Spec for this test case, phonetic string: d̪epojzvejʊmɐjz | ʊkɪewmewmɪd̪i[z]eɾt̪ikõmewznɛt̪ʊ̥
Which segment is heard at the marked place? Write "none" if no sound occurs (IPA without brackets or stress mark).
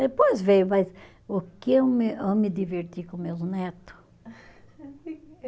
v